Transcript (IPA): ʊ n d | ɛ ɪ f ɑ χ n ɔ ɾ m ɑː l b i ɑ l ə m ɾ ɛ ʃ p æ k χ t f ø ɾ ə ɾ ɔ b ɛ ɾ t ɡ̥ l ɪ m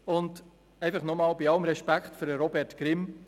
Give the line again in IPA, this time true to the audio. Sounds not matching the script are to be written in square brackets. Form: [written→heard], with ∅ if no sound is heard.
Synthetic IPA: ʊ n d | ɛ ɪ f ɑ χ n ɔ [ɾ→∅] m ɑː l b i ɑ l ə m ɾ ɛ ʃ p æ k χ t f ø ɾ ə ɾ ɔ b ɛ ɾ t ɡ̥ [l→ɾ] ɪ m